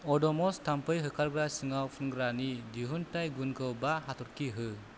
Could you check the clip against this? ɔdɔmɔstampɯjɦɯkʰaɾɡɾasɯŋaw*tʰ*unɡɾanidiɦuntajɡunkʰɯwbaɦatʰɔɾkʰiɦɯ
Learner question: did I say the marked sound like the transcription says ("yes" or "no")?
no